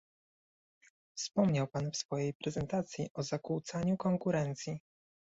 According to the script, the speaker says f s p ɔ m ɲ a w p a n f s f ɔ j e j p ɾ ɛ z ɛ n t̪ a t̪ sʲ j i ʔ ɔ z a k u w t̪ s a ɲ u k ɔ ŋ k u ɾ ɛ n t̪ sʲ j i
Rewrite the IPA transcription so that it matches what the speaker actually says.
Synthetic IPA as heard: f s p ɔ m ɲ a w p a n f s f ɔ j e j p ɾ ɛ z ɛ n t̪ a t̪ sʲ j i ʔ ɔ z a k u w t̪ s a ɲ u k ɔ ŋ k u ɾ ɛ n t̪ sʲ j i